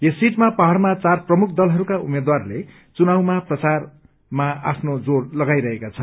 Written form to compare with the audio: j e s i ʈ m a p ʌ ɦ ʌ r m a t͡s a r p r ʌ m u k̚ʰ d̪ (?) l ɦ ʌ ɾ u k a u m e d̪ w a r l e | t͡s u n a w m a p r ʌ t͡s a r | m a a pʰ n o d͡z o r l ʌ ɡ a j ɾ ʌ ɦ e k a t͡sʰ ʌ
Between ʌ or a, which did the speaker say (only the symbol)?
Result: ʌ